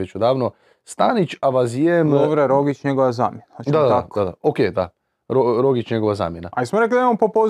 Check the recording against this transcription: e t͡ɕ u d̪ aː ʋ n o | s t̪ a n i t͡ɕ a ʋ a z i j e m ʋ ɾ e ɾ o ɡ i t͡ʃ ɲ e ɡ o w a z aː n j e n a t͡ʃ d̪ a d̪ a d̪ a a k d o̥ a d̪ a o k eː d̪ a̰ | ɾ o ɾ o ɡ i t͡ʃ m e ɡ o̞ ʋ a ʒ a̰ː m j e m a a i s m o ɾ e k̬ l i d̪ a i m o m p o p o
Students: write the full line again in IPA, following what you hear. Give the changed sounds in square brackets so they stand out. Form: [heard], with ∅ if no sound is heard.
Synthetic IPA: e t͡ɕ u d̪ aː ʋ n o | s t̪ a n i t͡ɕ a ʋ a z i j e m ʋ ɾ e ɾ o ɡ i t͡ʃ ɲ e ɡ o [ʋ] a z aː [m] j e n a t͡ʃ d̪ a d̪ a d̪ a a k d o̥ a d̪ a o k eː d̪ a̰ | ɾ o ɾ o ɡ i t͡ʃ [ɲ] e ɡ o̞ ʋ a [z] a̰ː m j e [n] a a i s m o ɾ e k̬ l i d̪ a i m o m p o p o